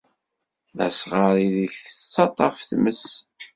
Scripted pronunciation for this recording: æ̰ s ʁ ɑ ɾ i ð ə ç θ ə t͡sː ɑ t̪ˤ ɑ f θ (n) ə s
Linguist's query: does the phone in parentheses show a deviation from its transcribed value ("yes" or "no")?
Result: yes